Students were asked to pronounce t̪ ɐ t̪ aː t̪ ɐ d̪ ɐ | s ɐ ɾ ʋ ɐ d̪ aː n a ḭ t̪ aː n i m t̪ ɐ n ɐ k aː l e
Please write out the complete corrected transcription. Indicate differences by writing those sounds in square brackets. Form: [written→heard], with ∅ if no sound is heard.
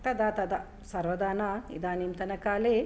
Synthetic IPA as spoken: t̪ ɐ [t̪→d̪] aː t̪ ɐ d̪ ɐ | s ɐ ɾ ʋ ɐ d̪ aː n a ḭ [t̪→d̪] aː n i m t̪ ɐ n ɐ k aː l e